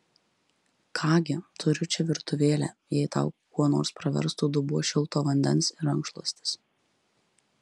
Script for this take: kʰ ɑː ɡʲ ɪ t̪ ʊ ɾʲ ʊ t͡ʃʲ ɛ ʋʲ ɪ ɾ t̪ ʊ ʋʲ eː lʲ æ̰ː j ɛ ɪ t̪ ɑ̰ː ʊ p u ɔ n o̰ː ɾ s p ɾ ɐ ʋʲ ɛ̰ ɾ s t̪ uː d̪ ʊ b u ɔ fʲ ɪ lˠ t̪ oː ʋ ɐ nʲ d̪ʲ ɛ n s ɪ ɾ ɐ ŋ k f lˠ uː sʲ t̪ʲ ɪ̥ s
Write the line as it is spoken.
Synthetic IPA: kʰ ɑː ɡʲ ɪ t̪ ʊ ɾʲ ʊ t͡ʃʲ ɛ ʋʲ ɪ ɾ t̪ ʊ ʋʲ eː lʲ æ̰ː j ɛ ɪ t̪ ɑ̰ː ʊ k u ɔ n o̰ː ɾ s p ɾ ɐ ʋʲ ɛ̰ ɾ s t̪ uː d̪ ʊ b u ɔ ʃʲ ɪ lˠ t̪ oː ʋ ɐ nʲ d̪ʲ ɛ n s ɪ ɾ ɐ ŋ k ʃ lˠ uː sʲ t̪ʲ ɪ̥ s